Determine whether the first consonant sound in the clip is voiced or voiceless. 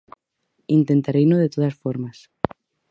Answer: voiced